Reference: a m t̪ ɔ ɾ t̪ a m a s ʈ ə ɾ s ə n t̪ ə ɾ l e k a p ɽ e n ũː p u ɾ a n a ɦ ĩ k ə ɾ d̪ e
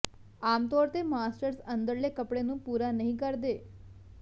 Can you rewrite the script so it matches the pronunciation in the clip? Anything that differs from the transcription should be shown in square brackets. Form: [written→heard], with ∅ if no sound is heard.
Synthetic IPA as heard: a m t̪ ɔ ɾ t̪ [a→e] m a s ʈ ə ɾ s ə n [t̪→d̪] ə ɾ l e k [a→ə] p ɽ e n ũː p u ɾ a n [a→ə] ɦ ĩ k ə ɾ d̪ e